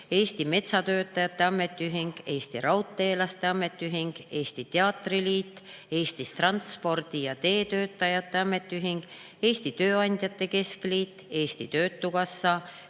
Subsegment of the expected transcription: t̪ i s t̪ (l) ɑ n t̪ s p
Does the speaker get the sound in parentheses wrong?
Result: yes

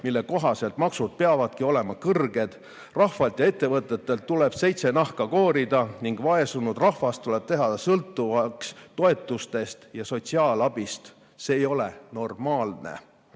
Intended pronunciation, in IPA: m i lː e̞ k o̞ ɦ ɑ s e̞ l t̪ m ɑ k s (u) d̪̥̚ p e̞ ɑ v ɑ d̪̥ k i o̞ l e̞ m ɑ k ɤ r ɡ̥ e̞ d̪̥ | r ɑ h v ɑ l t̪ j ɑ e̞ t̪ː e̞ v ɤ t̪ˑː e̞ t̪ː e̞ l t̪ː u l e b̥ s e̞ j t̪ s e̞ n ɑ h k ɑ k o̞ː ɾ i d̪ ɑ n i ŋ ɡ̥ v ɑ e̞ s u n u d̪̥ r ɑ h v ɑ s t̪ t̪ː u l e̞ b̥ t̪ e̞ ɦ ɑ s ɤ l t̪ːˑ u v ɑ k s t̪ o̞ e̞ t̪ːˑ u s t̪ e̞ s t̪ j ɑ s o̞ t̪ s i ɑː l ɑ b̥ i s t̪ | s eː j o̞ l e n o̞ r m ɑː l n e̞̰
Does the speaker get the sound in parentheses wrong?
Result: no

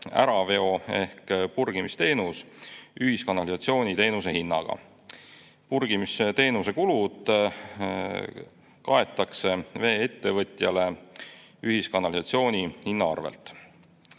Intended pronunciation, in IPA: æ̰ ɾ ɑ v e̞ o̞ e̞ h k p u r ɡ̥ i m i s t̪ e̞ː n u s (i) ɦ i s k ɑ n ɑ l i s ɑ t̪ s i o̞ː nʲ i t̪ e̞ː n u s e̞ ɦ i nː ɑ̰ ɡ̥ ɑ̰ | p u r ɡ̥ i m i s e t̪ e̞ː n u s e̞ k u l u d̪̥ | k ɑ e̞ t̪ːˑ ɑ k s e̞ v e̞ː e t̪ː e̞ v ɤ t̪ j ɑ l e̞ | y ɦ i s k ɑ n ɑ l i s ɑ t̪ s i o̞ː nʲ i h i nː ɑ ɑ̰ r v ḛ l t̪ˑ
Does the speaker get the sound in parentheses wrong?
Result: yes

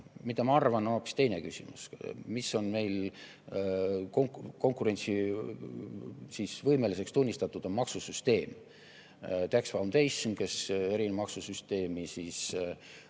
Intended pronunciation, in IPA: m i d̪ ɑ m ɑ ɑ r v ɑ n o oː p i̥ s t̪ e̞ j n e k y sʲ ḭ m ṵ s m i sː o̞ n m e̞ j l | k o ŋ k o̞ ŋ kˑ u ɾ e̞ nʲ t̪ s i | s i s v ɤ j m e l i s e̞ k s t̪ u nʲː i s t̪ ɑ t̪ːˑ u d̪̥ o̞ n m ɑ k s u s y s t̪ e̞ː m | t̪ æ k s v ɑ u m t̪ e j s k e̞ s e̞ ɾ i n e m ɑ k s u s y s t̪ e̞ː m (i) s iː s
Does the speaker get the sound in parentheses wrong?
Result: no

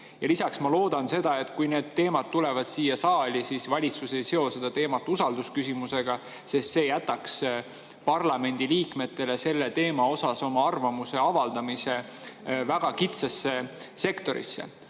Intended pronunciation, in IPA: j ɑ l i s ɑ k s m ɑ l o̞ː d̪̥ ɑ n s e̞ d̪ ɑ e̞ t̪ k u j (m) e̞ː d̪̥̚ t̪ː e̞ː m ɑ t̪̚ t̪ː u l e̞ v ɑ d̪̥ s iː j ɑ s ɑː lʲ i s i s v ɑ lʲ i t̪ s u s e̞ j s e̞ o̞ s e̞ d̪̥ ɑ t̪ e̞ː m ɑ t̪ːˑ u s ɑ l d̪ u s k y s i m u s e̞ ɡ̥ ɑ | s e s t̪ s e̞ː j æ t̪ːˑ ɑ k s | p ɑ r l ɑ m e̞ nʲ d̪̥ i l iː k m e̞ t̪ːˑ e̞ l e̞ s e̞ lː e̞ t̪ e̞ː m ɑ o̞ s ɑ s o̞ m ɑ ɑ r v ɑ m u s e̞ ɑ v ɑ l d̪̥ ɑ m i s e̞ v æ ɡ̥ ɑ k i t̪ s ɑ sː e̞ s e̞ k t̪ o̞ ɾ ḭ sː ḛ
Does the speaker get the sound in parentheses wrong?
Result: yes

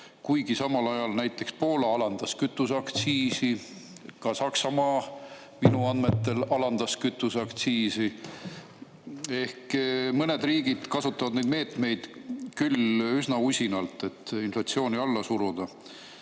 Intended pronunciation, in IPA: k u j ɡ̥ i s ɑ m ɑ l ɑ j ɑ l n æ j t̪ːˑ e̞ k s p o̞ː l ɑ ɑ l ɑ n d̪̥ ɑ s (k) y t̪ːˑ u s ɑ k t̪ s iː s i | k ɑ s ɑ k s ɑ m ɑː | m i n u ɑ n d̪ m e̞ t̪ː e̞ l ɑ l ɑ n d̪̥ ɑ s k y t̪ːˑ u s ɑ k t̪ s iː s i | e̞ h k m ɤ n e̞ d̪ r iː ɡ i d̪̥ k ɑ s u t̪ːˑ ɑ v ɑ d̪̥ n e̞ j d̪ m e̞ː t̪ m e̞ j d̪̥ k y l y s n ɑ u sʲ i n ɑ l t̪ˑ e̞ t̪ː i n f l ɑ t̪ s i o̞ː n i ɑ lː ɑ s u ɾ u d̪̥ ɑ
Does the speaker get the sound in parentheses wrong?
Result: no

